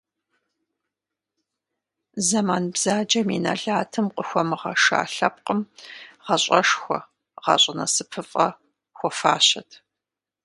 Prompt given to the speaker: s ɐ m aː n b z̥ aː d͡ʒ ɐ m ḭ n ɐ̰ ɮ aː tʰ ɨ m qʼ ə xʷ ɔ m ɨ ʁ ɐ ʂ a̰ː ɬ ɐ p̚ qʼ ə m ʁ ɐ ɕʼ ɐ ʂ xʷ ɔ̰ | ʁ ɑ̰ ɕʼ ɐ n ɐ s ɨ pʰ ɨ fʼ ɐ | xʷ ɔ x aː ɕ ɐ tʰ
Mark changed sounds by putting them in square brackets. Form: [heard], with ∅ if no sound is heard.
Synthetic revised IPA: [z] ɐ m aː n b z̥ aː d͡ʒ ɐ m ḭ n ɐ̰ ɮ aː tʰ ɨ m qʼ ə xʷ ɔ m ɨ ʁ ɐ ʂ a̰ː ɬ ɐ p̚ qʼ ə m ʁ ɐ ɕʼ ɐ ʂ xʷ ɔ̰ | ʁ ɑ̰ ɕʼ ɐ n ɐ s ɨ pʰ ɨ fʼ ɐ | xʷ ɔ [f] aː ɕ ɐ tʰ